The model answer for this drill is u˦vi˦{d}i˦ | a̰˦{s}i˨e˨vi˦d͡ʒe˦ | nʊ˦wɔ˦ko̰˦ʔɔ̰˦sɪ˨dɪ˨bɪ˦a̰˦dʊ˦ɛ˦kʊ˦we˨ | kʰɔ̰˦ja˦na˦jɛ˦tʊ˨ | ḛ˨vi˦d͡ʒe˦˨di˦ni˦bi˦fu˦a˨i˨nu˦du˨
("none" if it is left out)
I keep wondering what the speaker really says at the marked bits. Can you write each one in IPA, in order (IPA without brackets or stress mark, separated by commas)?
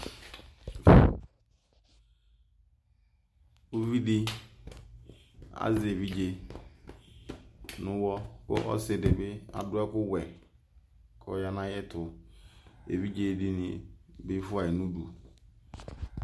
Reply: d, z